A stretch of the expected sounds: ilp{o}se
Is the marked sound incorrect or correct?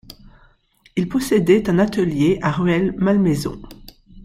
incorrect: ɔ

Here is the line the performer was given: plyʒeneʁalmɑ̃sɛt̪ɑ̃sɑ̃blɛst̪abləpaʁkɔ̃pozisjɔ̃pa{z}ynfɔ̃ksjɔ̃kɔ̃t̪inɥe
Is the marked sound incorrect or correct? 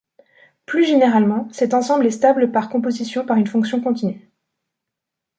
incorrect: ʁ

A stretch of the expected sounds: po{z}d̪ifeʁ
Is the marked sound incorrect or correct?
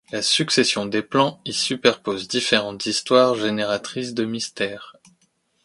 correct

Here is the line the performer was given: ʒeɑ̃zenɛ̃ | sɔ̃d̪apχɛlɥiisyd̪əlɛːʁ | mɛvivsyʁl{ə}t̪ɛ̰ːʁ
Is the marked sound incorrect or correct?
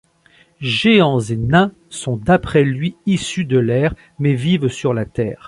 incorrect: a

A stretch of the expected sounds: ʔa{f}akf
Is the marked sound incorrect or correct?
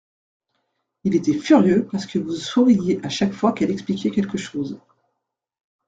incorrect: ʃ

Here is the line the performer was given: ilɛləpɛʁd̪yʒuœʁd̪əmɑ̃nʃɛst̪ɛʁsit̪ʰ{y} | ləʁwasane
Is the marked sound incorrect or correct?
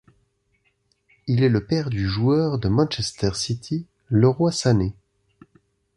incorrect: i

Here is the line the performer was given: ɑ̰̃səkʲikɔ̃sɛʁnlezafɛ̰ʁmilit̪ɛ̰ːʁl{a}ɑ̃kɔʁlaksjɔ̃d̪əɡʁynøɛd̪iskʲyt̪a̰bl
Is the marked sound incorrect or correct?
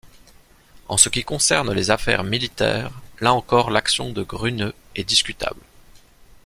correct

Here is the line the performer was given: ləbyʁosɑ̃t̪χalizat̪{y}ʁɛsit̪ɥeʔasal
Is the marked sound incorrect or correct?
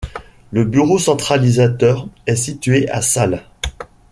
incorrect: œ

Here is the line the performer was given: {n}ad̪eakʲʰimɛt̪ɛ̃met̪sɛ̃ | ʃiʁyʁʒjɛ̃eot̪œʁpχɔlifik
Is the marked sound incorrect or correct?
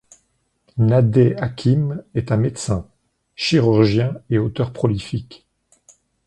correct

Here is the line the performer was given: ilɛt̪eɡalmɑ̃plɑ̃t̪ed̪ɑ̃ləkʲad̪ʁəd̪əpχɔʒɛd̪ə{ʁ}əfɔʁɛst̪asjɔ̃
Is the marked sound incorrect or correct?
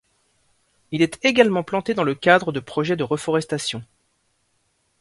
correct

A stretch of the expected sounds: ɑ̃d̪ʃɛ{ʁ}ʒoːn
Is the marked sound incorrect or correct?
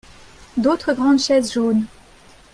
incorrect: z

